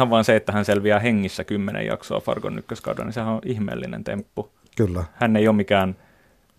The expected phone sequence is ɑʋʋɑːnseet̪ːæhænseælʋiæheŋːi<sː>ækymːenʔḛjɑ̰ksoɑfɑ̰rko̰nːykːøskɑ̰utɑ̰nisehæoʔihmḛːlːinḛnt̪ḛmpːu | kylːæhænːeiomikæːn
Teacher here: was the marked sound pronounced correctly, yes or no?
yes